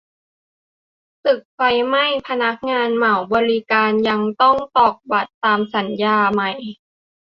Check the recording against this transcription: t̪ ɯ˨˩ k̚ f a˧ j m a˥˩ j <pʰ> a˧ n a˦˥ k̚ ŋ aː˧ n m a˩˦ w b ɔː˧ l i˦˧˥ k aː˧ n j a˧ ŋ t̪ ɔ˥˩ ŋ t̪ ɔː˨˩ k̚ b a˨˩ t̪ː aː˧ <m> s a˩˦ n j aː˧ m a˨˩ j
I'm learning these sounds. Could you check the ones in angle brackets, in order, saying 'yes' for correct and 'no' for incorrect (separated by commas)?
yes, yes